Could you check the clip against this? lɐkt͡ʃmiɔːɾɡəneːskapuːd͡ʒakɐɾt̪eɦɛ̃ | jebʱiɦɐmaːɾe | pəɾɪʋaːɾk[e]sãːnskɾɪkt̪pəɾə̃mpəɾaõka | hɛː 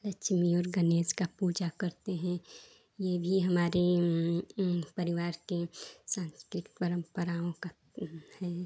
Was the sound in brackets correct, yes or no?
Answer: yes